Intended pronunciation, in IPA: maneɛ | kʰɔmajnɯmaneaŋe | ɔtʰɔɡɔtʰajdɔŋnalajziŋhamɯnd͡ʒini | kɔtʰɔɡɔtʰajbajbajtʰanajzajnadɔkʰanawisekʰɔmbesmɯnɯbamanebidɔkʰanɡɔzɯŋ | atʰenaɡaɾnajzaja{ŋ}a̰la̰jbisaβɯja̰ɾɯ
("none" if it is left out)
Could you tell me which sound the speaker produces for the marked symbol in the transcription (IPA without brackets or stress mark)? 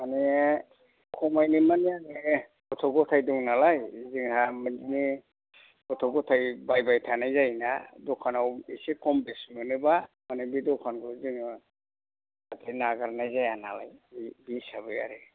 n